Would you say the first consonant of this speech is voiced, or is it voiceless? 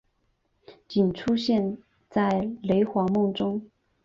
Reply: voiceless